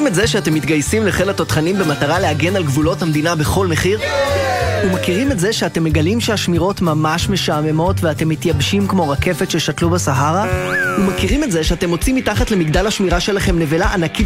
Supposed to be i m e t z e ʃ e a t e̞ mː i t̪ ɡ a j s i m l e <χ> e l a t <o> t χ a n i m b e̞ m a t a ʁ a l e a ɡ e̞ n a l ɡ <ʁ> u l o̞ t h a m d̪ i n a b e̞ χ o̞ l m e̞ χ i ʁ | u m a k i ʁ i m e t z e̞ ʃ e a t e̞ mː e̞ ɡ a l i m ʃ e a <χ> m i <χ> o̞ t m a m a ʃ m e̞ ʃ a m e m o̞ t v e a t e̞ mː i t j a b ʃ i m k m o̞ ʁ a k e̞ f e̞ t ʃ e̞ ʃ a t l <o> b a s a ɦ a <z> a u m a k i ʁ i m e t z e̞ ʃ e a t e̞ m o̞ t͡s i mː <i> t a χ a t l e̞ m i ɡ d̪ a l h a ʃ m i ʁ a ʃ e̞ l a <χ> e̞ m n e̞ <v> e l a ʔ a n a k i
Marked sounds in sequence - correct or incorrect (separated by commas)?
correct, correct, incorrect, incorrect, incorrect, incorrect, incorrect, correct, correct, correct